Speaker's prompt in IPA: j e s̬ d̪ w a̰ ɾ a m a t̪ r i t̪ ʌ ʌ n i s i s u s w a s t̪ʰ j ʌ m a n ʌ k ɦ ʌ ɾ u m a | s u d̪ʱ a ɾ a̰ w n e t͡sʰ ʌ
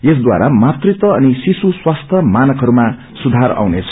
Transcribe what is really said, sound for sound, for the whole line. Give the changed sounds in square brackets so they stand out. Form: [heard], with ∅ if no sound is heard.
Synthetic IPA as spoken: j e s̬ d̪ w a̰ ɾ a m a t̪ r i t̪ ʌ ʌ n i s i s u s w a s t̪ʰ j ʌ m a n ʌ k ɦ ʌ ɾ u m a | s u d̪ʱ a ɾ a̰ w n e t͡sʰ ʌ